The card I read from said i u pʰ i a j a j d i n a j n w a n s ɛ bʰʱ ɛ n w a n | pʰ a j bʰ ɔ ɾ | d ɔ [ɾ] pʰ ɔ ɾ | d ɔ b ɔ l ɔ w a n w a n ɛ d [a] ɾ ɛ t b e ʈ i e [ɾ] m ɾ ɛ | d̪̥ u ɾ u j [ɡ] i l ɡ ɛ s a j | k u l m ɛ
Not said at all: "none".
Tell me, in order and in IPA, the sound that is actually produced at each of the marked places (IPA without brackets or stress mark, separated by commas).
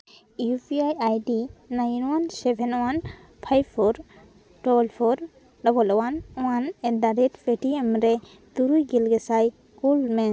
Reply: l, a, none, ɡ